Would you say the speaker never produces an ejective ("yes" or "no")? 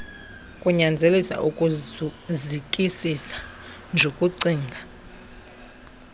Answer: no